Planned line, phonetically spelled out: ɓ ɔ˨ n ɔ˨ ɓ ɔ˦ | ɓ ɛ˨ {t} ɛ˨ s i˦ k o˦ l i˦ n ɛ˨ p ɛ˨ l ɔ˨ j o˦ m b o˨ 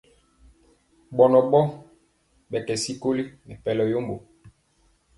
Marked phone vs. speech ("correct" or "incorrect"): incorrect